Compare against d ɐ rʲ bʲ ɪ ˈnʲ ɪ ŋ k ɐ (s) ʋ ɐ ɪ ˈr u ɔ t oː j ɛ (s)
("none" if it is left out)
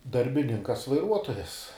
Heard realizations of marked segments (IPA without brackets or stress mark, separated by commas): s, s